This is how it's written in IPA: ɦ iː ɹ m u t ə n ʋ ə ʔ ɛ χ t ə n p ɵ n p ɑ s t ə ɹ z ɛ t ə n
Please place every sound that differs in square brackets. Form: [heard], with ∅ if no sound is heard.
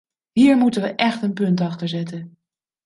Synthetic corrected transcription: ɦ iː ɹ m u t ə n ʋ ə ʔ ɛ χ t ə n p ɵ n [t] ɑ [χ] t ə ɹ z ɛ t ə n